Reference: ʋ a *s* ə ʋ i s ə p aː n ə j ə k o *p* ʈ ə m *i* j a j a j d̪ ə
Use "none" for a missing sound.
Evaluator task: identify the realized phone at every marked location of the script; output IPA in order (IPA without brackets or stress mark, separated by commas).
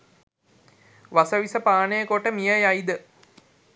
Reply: s, none, i